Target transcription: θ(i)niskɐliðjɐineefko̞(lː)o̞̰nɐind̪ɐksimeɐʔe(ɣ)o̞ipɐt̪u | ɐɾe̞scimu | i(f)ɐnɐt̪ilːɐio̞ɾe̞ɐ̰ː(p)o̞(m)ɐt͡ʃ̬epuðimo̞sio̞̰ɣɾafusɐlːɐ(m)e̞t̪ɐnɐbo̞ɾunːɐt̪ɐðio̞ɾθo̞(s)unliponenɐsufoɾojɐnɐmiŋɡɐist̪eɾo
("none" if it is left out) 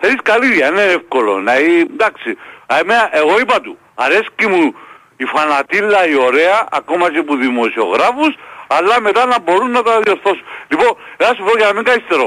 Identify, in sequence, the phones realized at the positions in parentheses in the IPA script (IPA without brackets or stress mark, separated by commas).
e, l, ɣ, f, k, m, m, s